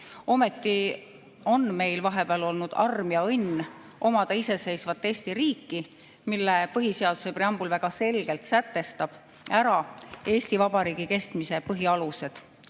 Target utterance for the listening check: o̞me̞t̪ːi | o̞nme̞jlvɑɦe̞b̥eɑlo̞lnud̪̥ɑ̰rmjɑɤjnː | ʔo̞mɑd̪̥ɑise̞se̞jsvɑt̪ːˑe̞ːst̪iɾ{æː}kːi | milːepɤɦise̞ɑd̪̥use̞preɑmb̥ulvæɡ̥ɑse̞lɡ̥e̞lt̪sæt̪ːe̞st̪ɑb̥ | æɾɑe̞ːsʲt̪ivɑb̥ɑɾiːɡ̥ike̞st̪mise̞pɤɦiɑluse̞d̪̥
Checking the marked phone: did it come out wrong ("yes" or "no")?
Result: yes